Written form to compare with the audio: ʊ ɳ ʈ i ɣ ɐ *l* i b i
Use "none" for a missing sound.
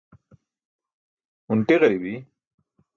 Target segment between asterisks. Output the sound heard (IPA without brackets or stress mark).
ɾ